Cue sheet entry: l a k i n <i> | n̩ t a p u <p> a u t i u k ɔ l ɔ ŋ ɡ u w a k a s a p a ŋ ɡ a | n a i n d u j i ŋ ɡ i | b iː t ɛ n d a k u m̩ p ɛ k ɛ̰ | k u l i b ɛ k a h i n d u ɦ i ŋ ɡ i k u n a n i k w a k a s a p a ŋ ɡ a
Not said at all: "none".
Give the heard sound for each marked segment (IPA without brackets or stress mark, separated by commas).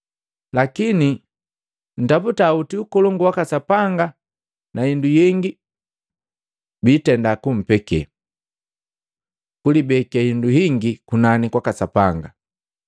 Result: i, t